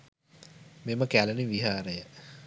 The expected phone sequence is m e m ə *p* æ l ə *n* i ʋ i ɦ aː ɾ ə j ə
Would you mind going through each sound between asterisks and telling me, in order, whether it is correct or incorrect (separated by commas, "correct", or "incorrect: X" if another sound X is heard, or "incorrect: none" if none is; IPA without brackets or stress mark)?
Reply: incorrect: k, correct